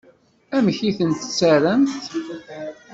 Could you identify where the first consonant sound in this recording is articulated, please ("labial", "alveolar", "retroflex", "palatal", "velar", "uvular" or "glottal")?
labial